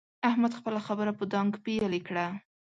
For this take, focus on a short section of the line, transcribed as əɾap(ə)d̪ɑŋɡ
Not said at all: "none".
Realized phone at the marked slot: ə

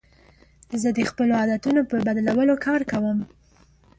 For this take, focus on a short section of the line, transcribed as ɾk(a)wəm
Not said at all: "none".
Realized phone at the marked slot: a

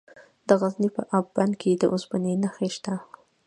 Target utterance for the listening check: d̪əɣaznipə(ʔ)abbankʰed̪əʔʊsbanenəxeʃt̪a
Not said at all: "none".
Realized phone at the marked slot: ʔ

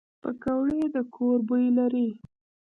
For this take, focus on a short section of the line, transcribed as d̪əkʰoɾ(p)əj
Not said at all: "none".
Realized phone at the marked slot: b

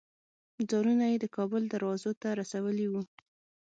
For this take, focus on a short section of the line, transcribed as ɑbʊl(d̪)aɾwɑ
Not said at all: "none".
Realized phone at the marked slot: d̪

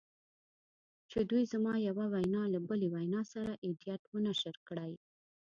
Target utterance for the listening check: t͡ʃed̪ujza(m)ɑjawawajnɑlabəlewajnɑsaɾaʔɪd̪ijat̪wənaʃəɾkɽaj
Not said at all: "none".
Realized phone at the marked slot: m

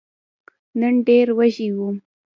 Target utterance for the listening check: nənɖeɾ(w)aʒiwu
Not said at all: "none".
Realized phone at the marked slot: w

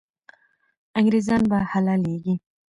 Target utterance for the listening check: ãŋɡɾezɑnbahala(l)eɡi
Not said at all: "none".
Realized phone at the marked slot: l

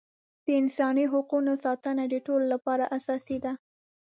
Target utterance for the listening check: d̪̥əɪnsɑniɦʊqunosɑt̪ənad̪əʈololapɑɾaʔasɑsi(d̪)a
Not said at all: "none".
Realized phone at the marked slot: d̪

